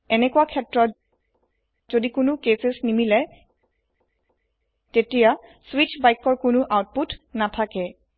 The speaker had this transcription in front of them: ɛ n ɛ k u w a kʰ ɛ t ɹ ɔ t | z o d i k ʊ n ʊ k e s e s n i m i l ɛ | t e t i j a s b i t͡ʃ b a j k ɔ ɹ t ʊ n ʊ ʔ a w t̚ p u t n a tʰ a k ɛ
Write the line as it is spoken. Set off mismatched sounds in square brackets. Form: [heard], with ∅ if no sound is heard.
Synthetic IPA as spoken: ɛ n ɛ k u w a kʰ ɛ t ɹ ɔ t | z o d i k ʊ n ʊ k e s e s n i m i l ɛ | t e t i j a s [w] i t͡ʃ b a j k ɔ ɹ [k] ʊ n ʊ ʔ a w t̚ p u t n a tʰ a k ɛ